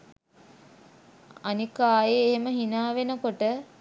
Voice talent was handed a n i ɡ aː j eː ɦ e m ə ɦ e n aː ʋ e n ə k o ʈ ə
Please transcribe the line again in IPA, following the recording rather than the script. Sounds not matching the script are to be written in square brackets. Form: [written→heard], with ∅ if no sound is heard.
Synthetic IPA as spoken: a n i [ɡ→k] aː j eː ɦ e m ə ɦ [e→i] n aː ʋ e n ə k o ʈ ə

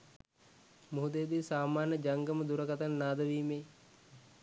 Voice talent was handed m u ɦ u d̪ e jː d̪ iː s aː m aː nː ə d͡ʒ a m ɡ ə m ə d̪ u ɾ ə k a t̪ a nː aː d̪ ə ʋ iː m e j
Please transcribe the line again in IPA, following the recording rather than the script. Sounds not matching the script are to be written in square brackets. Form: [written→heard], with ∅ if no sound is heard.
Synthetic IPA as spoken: m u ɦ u d̪ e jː d̪ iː s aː m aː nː ə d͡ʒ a [m→ŋ] ɡ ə m ə d̪ u ɾ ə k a t̪ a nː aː d̪ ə ʋ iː m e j

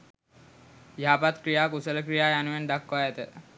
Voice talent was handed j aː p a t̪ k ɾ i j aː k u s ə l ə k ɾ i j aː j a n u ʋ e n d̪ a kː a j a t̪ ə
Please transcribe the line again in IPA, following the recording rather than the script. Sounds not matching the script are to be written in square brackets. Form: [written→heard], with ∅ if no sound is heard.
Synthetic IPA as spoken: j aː p a t̪ k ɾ i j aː k u s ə l ə k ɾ i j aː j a n u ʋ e n d̪ a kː a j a t̪ ə

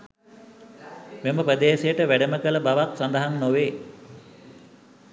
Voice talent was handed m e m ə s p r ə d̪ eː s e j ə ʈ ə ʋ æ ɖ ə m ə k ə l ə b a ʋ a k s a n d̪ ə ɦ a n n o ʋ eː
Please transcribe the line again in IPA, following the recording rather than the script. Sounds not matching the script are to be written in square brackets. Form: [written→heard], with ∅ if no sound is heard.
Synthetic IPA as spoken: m e m ə [s→∅] p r ə d̪ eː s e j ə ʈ ə ʋ æ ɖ ə m ə k ə l ə b a ʋ a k s a n d̪ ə ɦ a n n o ʋ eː

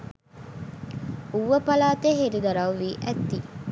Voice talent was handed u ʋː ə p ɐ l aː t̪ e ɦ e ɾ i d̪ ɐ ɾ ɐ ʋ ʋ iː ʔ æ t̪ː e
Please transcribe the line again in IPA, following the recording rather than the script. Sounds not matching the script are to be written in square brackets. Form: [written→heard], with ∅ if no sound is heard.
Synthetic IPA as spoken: u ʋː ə p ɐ l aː t̪ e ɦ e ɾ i d̪ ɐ ɾ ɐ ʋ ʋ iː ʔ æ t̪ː [e→i]

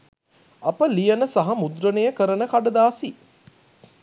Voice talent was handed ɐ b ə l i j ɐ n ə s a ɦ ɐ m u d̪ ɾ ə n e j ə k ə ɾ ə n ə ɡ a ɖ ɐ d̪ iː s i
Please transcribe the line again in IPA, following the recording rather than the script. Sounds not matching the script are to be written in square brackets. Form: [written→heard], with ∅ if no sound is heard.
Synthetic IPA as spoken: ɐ [b→p] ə l i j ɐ n ə s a ɦ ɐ m u d̪ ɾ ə n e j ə k ə ɾ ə n ə [ɡ→k] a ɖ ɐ d̪ [iː→aː] s i

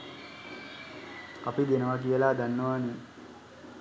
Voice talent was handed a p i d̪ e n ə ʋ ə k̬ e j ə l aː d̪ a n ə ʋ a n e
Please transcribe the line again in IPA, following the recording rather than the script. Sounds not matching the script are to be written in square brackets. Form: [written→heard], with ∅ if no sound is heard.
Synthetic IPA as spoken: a p i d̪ e n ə ʋ [ə→a] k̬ [e→i] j ə l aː d̪ a [n→nː] ə ʋ a n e

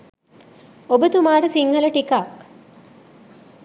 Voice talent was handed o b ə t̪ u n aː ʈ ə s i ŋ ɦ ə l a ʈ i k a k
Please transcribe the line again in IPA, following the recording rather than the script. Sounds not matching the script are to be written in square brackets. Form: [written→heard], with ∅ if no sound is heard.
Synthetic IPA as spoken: o b ə t̪ u [n→m] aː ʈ ə s i ŋ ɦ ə l [a→ə] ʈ i k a k

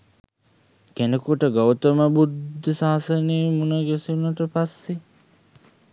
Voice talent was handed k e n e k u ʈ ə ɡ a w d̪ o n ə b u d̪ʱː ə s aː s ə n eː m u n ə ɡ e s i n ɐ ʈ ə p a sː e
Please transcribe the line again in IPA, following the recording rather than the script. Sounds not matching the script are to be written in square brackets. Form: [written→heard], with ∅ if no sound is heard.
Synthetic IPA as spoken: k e n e k u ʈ ə ɡ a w [d̪→t̪] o [n→m] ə b u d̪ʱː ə s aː s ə n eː m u n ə ɡ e s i n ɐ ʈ ə p a sː e

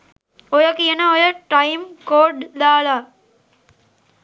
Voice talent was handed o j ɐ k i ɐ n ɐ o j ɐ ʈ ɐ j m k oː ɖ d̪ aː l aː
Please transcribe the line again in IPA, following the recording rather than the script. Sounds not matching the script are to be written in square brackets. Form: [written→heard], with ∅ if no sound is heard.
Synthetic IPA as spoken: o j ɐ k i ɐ n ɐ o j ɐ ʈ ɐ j m k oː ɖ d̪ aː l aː

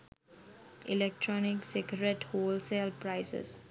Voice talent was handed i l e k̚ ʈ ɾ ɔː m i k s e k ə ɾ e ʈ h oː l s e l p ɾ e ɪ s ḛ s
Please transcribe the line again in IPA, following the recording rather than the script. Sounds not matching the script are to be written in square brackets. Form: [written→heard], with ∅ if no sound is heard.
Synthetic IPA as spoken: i l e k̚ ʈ ɾ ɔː [m→n] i k s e k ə ɾ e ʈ h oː l s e l p ɾ [e→a] ɪ s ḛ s

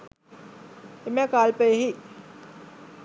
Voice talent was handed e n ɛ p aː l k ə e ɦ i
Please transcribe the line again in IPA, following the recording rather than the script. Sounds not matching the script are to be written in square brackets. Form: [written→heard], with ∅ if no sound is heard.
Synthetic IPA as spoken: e [n→m] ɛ [p→k] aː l [k→p] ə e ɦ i

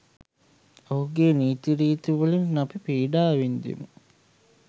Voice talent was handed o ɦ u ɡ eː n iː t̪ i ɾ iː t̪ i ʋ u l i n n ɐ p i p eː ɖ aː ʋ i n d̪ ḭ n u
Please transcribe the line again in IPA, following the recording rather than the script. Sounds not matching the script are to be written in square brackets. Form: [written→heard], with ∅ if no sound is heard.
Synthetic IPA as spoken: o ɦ u ɡ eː n iː t̪ i ɾ iː t̪ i ʋ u l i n n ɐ p i p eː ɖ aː ʋ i n d̪ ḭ [n→m] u

